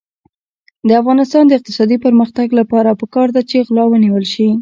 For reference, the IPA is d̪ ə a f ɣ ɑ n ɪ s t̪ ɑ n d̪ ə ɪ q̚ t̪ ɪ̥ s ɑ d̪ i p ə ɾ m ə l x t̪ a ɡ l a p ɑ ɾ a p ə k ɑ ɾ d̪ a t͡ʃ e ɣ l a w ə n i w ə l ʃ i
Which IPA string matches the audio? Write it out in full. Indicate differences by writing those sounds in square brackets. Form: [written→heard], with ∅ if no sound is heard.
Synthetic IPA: d̪ ə a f ɣ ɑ n ɪ s t̪ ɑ n d̪ ə ɪ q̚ t̪ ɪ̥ s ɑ d̪ i p ə ɾ m ə [l→∅] x t̪ a ɡ l a p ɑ ɾ a p ə k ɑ ɾ d̪ a t͡ʃ e ɣ l [a→ɑ] w ə n i w ə l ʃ i